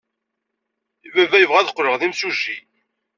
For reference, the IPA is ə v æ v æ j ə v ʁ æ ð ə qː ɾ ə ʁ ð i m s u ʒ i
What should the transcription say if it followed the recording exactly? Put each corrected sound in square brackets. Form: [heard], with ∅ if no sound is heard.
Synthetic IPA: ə v æ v æ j ə v ʁ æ ð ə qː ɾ ə ʁ ð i m s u ʒ i